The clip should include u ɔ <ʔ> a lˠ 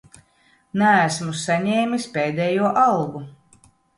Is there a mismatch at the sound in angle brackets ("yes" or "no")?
no